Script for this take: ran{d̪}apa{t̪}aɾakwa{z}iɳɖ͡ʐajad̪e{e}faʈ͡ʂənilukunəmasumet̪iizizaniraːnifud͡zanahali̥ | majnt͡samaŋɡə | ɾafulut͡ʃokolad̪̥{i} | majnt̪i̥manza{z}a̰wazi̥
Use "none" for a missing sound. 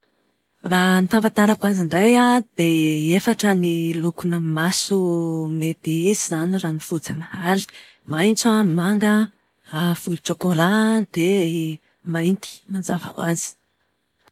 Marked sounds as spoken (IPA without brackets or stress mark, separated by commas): t̪, t̪, z, e, e, v